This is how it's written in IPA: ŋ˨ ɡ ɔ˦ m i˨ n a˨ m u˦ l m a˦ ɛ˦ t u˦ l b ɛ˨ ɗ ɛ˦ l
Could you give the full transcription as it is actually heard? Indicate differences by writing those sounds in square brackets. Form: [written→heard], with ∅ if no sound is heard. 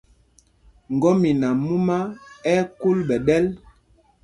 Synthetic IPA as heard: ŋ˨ ɡ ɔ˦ m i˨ n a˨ m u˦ [l→∅] m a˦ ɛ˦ [t→k] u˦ l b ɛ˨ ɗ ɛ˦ l